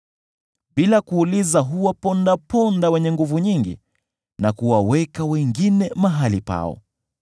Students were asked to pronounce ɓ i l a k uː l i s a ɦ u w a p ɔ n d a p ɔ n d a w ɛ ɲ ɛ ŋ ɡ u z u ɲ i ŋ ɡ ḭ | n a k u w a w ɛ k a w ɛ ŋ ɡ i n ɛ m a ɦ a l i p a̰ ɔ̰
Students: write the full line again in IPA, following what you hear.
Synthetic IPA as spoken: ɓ i l a k uː l i z a ɦ u w a p ɔ n d a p ɔ n d a w ɛ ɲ ɛ ŋ ɡ u v u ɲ i ŋ ɡ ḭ | n a k u w a w ɛ k a w ɛ ŋ ɡ i n ɛ m a ɦ a l i p a̰ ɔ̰

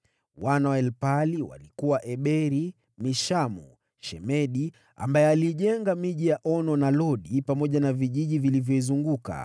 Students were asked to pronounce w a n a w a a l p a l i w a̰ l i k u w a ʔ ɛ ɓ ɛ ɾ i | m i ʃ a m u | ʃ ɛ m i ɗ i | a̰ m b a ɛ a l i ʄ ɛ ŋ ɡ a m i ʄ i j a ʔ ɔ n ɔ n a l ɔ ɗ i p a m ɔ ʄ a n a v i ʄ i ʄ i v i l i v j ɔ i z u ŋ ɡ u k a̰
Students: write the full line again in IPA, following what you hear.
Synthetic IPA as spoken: w a n a w a ɛ l p a l i w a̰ l i k u w a ʔ ɛ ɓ ɛ ɾ i | m i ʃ a m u | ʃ ɛ m ɛ ɗ i | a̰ m b a ɛ a l i ʄ ɛ ŋ ɡ a m i ʄ i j a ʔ ɔ n ɔ n a l ɔ ɗ i p a m ɔ ʄ a n a v i ʄ i ʄ i v i l i v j ɔ i z u ŋ ɡ u k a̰

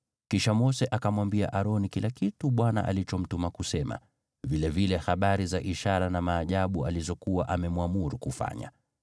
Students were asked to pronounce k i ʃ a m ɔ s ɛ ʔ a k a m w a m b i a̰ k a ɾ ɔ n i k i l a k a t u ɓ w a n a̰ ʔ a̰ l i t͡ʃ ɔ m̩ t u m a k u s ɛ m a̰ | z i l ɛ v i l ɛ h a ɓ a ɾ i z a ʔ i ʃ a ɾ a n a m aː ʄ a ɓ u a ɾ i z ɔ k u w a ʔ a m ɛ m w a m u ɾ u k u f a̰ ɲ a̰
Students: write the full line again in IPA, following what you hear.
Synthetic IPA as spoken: k i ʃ a m ɔ s ɛ ʔ a k a m w a m b i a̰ ʔ a ɾ ɔ n i k i l a k i t u ɓ w a n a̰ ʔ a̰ l i t͡ʃ ɔ m̩ t u m a k u s ɛ m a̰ | v i l ɛ v i l ɛ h a ɓ a ɾ i z a ʔ i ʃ a ɾ a n a m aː ʄ a ɓ u a l i z ɔ k u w a ʔ a m ɛ m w a m u ɾ u k u f a̰ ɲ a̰

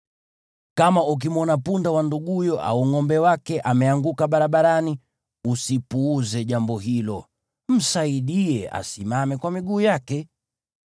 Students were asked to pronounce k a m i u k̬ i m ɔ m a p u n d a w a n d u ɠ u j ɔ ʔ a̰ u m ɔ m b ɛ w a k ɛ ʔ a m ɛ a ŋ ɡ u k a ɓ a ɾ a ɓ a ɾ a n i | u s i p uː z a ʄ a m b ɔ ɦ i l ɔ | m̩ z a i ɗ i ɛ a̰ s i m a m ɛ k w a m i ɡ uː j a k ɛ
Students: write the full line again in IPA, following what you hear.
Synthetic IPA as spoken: k a m a u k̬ i m ɔ n a p u n d a w a n d u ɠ u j ɔ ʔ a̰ u ŋ ɔ m b ɛ w a k ɛ ʔ a m ɛ a ŋ ɡ u k a ɓ a ɾ a ɓ a ɾ a n i | u s i p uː z ɛ ʄ a m b ɔ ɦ i l ɔ | m̩ s a i ɗ i ɛ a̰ s i m a m ɛ k w a m i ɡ uː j a k ɛ

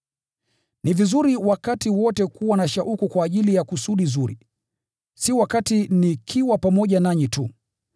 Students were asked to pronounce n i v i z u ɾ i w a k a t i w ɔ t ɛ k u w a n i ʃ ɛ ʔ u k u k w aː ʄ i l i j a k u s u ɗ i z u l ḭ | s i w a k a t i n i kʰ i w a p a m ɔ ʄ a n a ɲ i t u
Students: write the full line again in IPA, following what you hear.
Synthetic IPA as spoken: n i v i z u ɾ i w a k a t i w ɔ t ɛ k u w a n a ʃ a ʔ u k u k w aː ʄ i l i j a k u s u ɗ i z u ɾ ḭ | s i w a k a t i n i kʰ i w a p a m ɔ ʄ a n a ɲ i t u

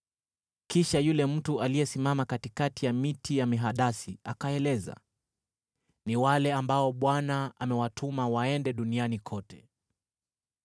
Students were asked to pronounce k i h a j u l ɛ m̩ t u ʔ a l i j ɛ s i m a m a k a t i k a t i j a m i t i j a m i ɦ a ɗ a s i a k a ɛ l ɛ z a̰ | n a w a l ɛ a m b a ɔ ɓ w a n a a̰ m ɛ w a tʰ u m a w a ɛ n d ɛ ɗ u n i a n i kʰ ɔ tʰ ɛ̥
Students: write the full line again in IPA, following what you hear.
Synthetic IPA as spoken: k i ʃ a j u l ɛ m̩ t u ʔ a l i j ɛ s i m a m a k a t i k a t i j a m i t i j a m i ɦ a ɗ a s i a k a ɛ l ɛ z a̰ | n i w a l ɛ a m b a ɔ ɓ w a n a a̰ m ɛ w a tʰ u m a w a ɛ n d ɛ ɗ u n i a n i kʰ ɔ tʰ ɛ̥

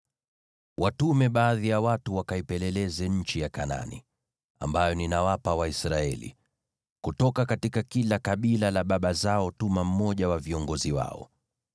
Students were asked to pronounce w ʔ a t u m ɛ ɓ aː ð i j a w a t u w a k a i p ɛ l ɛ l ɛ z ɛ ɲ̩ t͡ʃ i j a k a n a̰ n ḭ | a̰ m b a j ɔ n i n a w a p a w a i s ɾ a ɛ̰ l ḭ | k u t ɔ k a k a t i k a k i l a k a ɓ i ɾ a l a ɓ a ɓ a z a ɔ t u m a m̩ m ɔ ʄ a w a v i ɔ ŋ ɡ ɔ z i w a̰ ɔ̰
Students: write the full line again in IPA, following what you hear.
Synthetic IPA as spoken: w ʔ a t u m ɛ ɓ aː ð i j a w a t u w a k a i p ɛ l ɛ l ɛ z ɛ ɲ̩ t͡ʃ i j a k a n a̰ n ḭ | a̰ m b a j ɔ n i n a w a p a w a i s ɾ a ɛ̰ l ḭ | k u t ɔ k a k a t i k a k i l a k a ɓ i l a l a ɓ a ɓ a z a ɔ t u m a m̩ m ɔ ʄ a w a v i ɔ ŋ ɡ ɔ z i w a̰ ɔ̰

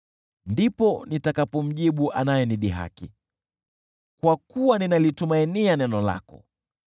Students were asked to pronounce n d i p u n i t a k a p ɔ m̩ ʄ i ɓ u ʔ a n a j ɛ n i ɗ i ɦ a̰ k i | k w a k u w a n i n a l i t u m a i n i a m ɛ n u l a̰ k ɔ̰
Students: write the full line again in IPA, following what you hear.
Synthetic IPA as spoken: n d i p ɔ n i t a k a p ɔ m̩ ʄ i ɓ u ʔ a n a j ɛ n i ɗ i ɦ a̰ k i | k w a k u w a n i n a l i t u m a i n i a n ɛ n ɔ l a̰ k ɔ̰

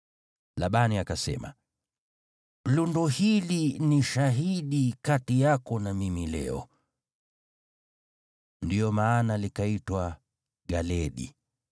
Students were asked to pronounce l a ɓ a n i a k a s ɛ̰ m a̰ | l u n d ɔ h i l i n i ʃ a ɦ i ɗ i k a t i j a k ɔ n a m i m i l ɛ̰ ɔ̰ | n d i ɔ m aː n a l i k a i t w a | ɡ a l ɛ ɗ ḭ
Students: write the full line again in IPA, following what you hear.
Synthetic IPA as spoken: l a ɓ a n i a k a s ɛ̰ m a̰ | l u n d ɔ h i l i n i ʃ a ɦ i ɗ i k a t i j a k ɔ n a m i m i l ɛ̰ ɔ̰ | n d i ɔ m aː n a l i k a i t w a | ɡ a l ɛ ɗ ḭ

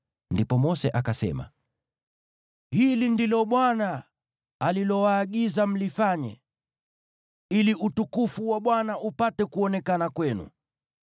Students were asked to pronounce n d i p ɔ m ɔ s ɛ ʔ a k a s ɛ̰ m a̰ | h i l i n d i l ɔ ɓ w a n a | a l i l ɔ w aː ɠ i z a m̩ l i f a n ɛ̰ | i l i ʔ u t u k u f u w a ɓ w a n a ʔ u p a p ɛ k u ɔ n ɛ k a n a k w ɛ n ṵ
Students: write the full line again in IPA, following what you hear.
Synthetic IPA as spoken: n d i p ɔ m ɔ s ɛ ʔ a k a s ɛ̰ m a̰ | h i l i n d i l ɔ ɓ w a n a | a l i l ɔ w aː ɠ i z a m̩ l i f a ɲ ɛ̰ | i l i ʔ u t u k u f u w a ɓ w a n a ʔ u p a t ɛ k u ɔ n ɛ k a n a k w ɛ n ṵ

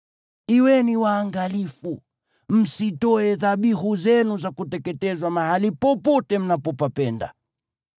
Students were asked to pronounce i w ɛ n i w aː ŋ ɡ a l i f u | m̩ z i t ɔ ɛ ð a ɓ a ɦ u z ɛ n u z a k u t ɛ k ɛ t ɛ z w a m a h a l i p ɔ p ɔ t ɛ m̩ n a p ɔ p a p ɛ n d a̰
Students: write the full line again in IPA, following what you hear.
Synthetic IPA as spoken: i w ɛ n i w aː ŋ ɡ a l i f u | m̩ s i t ɔ ɛ ð a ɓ i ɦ u z ɛ n u z a k u t ɛ k ɛ t ɛ z w a m a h a l i p ɔ p ɔ t ɛ m̩ n a p ɔ p a p ɛ n d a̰

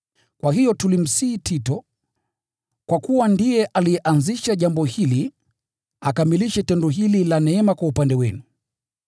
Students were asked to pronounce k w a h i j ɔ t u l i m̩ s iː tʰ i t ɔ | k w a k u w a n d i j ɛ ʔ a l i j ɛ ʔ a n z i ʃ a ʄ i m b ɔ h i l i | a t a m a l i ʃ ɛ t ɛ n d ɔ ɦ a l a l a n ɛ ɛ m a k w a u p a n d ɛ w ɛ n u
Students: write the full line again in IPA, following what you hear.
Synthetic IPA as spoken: k w a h i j ɔ t u l i m̩ s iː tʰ i t ɔ | k w a k u w a n d i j ɛ ʔ a l i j ɛ ʔ a n z i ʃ a ʄ a m b ɔ h i l i | a k a m i l i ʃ ɛ t ɛ n d ɔ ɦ i l i l a n ɛ ɛ m a k w a u p a n d ɛ w ɛ n u

